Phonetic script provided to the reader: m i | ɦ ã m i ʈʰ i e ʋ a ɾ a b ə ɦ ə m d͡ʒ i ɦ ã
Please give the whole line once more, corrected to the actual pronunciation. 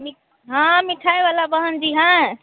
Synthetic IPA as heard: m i | ɦ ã m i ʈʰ a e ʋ a l a b ə ɦ ə n d͡ʒ i ɦ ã